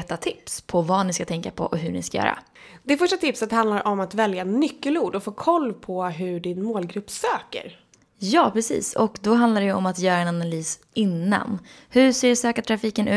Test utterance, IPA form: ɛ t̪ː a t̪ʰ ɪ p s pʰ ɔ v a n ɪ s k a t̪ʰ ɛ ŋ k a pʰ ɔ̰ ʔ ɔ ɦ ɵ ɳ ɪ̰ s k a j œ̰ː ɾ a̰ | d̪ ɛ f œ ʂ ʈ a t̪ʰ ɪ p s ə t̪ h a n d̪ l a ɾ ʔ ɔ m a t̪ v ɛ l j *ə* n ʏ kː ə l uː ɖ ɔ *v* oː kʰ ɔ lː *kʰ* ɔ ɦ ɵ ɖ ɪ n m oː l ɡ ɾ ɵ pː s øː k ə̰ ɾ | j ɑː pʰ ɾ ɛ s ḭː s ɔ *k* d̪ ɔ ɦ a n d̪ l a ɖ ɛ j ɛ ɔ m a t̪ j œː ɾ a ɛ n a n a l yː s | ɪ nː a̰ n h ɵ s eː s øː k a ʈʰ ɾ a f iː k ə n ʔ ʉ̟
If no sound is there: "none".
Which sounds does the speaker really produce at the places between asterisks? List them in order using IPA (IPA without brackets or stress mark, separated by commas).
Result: a, f, pʰ, k